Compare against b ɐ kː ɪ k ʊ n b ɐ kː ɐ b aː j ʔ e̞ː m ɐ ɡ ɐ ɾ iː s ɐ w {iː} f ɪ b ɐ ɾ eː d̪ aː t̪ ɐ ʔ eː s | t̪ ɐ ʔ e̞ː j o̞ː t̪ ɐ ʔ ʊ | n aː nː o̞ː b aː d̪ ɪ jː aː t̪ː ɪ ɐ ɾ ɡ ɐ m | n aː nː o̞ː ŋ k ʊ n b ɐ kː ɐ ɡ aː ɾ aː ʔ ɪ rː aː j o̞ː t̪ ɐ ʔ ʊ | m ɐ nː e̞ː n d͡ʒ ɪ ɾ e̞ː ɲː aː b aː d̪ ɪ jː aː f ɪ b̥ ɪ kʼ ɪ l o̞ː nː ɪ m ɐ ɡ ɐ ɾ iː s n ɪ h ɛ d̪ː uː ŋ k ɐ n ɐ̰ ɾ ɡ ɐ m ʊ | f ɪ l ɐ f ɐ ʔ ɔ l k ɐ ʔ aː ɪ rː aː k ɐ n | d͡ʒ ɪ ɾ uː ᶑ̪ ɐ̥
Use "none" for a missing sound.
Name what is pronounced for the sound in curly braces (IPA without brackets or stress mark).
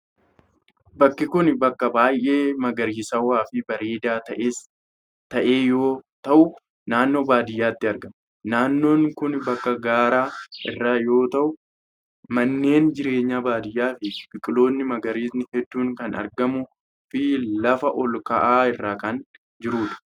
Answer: aː